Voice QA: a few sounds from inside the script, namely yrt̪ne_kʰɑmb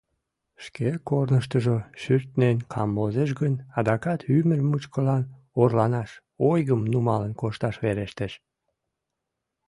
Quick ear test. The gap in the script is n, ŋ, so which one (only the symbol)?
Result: n